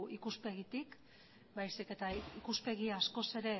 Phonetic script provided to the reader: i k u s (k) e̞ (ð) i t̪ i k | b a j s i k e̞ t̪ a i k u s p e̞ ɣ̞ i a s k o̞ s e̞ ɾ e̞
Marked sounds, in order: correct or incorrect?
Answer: incorrect: p, incorrect: ɣ

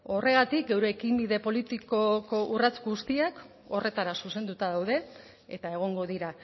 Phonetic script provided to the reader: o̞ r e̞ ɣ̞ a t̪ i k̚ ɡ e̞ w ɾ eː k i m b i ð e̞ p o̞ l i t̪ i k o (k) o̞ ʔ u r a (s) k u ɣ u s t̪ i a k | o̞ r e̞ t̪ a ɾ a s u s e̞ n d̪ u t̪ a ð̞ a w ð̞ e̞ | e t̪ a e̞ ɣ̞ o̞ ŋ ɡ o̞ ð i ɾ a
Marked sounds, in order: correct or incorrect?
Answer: correct, incorrect: t͡s

